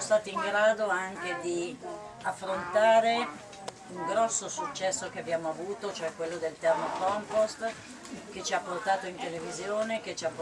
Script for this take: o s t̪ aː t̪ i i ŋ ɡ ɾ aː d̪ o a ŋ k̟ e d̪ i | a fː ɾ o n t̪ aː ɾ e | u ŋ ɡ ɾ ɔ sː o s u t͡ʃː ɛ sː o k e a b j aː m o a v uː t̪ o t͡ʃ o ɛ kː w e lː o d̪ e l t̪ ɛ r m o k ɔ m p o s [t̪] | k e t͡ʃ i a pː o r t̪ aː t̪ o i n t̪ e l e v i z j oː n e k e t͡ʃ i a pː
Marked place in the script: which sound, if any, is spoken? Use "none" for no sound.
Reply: t̪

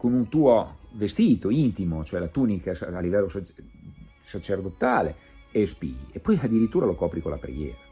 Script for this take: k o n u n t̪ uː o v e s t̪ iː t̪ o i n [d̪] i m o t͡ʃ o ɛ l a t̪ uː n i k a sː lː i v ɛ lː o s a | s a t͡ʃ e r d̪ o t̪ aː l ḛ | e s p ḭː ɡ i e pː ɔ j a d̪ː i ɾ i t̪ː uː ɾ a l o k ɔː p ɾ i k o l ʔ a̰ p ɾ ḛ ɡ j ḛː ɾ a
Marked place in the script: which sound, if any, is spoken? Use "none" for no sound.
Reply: t̪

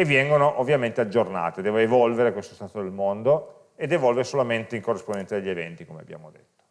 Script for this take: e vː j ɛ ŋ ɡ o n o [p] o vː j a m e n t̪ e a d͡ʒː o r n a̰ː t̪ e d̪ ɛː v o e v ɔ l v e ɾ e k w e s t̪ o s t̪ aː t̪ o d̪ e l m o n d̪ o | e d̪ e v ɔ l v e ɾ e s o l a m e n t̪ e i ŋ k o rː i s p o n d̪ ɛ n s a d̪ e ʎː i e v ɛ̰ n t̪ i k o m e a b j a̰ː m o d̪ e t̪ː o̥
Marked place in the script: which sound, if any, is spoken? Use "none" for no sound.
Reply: ʔ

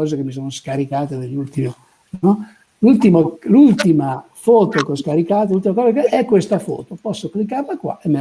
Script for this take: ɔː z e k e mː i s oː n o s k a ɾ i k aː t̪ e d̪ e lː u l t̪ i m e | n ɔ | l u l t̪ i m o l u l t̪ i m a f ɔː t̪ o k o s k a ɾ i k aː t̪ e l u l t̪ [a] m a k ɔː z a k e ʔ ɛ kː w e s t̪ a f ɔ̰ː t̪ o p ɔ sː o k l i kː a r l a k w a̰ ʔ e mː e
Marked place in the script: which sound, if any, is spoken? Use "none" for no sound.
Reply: i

